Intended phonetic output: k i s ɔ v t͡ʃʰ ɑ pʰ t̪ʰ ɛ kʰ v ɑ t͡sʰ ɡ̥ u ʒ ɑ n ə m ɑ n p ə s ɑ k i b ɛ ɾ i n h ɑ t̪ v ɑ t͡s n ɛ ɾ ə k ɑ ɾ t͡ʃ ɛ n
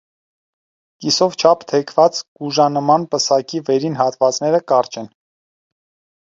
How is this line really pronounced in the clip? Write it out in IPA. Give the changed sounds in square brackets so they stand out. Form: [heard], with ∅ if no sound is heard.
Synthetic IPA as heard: k i s ɔ v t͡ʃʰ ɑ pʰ t̪ʰ ɛ kʰ v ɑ [t͡s] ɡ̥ u ʒ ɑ n ə m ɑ n p ə s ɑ k i [v] ɛ ɾ i n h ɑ t̪ v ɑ t͡s n ɛ ɾ ə k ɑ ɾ t͡ʃ ɛ n